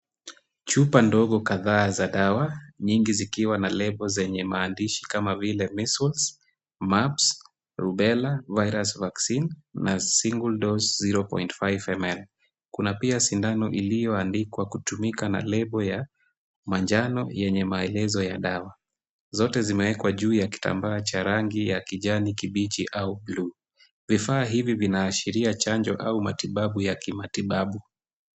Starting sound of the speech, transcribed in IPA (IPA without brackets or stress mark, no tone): t͡ʃ